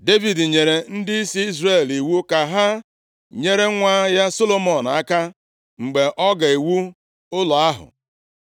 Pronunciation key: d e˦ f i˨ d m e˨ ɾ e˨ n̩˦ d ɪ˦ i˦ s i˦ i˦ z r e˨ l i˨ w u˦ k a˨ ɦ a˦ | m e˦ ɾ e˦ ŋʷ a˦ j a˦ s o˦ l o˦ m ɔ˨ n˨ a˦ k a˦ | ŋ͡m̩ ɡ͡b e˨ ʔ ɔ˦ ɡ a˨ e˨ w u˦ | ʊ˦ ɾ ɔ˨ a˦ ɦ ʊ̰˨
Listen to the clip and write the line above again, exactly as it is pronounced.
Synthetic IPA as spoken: d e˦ v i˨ d ɲ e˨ ɾ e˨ n̩˦ d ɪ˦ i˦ s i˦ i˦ z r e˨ l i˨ w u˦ k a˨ ɦ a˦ | ɲ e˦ ɾ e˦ ŋʷ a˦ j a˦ s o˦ l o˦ m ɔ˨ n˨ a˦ k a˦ | ŋ͡m̩ ɡ͡b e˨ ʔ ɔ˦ ɡ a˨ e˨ w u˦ | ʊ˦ l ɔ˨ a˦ ɦ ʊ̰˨